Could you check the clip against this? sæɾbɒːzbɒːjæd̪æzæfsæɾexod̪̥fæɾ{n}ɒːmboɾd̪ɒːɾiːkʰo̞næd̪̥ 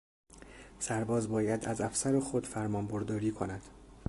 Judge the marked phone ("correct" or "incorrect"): incorrect